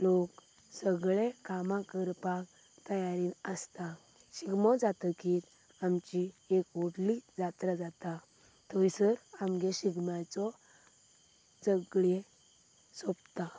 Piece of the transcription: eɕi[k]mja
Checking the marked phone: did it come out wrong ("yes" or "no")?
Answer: yes